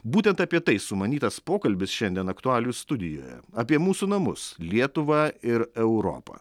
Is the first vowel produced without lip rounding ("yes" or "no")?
no